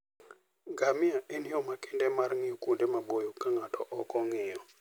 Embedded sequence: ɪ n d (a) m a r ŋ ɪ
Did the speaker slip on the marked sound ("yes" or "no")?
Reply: yes